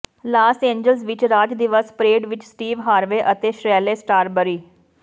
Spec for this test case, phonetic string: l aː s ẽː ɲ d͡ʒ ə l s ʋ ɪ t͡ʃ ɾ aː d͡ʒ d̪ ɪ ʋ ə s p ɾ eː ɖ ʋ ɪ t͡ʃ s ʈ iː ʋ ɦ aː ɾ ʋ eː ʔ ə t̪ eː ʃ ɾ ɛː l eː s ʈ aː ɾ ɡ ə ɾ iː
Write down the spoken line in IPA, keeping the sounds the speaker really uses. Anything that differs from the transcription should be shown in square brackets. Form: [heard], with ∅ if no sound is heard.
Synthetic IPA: l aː s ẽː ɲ d͡ʒ ə l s ʋ ɪ t͡ʃ ɾ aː d͡ʒ d̪ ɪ ʋ ə s p ɾ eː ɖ ʋ ɪ t͡ʃ s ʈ iː ʋ ɦ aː ɾ ʋ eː ʔ ə t̪ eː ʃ ɾ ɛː l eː s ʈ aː ɾ [b] ə ɾ iː